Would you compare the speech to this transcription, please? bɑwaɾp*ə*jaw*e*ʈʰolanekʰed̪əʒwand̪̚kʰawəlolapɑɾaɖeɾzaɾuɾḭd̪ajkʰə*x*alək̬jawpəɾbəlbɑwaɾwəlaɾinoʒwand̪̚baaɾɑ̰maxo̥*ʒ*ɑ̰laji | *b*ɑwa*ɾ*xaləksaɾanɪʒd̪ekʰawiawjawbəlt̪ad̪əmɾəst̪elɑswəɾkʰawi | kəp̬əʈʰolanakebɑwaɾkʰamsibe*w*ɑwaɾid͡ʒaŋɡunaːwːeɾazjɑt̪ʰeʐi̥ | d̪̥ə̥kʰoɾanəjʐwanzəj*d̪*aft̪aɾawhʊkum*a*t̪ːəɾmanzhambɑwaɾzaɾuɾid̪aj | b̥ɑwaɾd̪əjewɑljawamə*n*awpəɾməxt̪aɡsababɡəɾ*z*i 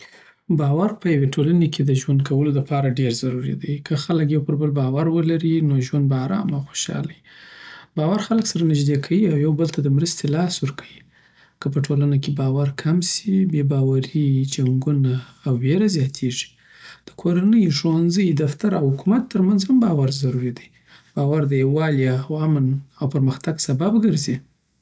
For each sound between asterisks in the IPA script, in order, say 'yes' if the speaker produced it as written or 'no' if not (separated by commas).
yes, yes, yes, no, yes, yes, no, yes, yes, yes, yes